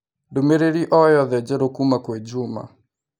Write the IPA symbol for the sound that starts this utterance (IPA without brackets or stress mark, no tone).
d